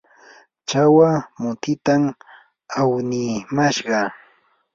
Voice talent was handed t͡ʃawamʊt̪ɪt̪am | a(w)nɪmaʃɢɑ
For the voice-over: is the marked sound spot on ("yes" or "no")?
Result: yes